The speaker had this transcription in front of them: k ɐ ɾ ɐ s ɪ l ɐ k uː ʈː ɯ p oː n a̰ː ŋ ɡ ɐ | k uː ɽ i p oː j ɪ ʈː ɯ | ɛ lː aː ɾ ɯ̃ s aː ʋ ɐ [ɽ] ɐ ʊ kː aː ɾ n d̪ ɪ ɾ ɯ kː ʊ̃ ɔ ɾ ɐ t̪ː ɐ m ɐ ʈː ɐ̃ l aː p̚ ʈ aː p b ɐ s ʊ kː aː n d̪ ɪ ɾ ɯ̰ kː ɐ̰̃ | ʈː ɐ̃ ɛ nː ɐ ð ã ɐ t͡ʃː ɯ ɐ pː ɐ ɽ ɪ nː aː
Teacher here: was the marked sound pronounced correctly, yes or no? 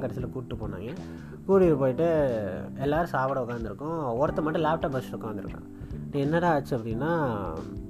yes